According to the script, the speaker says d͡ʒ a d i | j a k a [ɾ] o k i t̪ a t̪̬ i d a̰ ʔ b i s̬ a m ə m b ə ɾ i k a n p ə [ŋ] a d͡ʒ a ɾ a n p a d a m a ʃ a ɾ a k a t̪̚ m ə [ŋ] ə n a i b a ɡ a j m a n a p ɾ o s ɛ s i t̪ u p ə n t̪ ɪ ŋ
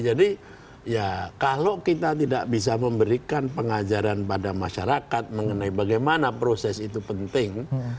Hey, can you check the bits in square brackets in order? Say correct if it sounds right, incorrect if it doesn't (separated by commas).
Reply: incorrect, correct, correct